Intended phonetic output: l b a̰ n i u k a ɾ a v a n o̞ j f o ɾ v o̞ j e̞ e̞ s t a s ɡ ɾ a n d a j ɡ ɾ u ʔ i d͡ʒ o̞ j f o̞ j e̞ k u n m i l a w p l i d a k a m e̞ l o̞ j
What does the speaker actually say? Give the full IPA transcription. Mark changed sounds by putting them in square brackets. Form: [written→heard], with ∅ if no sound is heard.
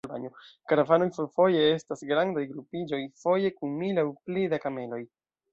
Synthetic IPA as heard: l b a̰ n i [u→o] k a ɾ a v a n o̞ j f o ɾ [v→f] o̞ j e̞ e̞ s t a s ɡ ɾ a n d a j ɡ ɾ u [ʔ→p] i d͡ʒ o̞ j f o̞ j e̞ k u n m i l a w p l i d a k a m e̞ l o̞ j